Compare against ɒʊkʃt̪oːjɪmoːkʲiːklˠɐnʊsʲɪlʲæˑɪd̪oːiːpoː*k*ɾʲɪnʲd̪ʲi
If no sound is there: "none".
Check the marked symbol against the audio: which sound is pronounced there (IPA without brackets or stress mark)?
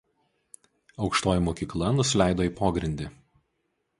ɡ